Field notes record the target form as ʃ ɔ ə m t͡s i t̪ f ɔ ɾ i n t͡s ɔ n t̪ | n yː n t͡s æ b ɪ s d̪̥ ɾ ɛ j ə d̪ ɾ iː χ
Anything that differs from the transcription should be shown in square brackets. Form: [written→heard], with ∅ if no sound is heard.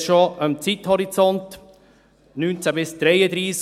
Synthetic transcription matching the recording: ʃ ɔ ə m t͡s i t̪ [f→h] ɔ ɾ i [n→∅] t͡s ɔ n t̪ | n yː n t͡s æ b ɪ s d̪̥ ɾ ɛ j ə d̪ ɾ iː [χ→s]